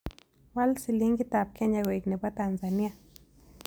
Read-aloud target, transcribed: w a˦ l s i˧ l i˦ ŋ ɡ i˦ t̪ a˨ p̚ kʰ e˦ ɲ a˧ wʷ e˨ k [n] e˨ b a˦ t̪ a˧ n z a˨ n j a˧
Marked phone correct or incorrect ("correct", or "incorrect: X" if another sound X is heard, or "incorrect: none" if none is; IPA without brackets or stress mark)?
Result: correct